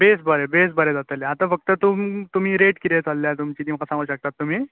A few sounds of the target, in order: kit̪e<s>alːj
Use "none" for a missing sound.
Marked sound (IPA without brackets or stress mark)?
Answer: t͡s